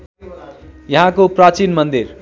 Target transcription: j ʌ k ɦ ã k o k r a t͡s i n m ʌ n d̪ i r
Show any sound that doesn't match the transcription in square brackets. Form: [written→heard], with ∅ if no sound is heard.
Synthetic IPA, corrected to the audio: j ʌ [k→∅] ɦ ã k o [k→p] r a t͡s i n m ʌ n d̪ i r

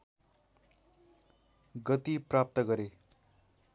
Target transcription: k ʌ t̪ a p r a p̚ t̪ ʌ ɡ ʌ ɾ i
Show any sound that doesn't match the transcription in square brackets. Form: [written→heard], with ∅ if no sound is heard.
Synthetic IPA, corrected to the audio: [k→ɡ] ʌ t̪ [a→i] p r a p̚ t̪ ʌ ɡ ʌ ɾ [i→e]

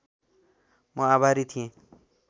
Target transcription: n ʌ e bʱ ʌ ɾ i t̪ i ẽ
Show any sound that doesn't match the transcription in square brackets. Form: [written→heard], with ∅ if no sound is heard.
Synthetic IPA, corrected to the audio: [n→m] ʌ [e→a] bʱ [ʌ→a] ɾ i [t̪→t̪ʰ] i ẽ

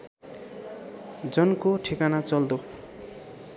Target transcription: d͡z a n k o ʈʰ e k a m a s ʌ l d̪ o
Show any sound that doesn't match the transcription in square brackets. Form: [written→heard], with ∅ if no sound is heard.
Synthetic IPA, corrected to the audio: d͡z [a→ʌ] n k o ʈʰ [e→i] k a [m→n] a [s→t͡s] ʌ l d̪ o

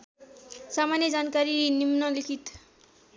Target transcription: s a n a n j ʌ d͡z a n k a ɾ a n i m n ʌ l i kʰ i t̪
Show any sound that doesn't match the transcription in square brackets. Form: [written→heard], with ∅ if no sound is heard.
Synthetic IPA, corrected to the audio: s a [n→m] a n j ʌ d͡z a n k a ɾ [a→i] n i m n ʌ l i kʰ i t̪

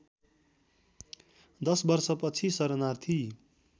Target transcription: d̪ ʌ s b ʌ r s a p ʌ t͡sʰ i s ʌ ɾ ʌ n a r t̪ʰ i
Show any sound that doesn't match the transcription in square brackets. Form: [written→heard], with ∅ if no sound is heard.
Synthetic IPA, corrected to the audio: d̪ ʌ s b ʌ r s [a→ʌ] p ʌ t͡sʰ i s ʌ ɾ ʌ n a r t̪ʰ i

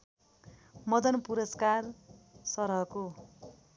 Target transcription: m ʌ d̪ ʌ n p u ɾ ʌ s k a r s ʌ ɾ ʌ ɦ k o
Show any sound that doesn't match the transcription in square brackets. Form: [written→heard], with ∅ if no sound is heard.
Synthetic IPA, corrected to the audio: m ʌ d̪ ʌ n p u ɾ ʌ s k a r s ʌ ɾ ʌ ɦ k o

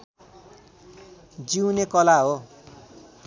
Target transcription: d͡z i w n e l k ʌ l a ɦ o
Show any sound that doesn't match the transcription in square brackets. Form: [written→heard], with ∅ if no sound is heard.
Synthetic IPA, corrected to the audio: d͡z i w n e [l→∅] k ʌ l a ɦ o

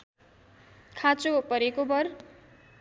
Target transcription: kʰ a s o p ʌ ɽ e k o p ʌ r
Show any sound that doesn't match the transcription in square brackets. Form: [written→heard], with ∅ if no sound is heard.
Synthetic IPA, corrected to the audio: kʰ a [s→t͡s] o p ʌ [ɽ→ɾ] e k o [p→b] ʌ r

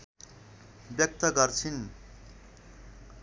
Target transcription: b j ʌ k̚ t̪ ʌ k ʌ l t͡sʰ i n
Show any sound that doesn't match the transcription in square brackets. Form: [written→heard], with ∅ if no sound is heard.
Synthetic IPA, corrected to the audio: b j ʌ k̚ t̪ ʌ [k→ɡ] ʌ [l→r] t͡sʰ i n

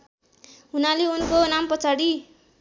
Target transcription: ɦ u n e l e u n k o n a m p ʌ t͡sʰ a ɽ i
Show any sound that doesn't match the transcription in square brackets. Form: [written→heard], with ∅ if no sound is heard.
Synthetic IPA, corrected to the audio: ɦ u n [e→a] l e u n k o n a m p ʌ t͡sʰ a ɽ i

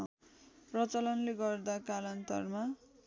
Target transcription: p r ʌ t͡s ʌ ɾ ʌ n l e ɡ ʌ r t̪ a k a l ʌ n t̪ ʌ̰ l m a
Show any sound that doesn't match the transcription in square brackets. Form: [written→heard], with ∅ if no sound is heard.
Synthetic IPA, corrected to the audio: p r ʌ t͡s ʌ [ɾ→l] ʌ n l e ɡ ʌ r [t̪→d̪] a k a l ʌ n t̪ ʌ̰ [l→r] m a

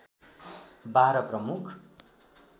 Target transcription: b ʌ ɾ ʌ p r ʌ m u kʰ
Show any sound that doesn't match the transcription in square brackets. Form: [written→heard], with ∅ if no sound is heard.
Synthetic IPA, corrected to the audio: b [ʌ→a] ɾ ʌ p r ʌ m u kʰ

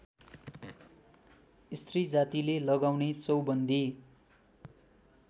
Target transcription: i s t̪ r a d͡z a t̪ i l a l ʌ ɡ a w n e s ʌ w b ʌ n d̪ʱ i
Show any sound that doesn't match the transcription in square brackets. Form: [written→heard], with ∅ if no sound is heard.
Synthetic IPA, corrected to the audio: i s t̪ r [a→i] d͡z a t̪ i l [a→e] l ʌ ɡ a w n e [s→t͡s] ʌ w b ʌ n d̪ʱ i

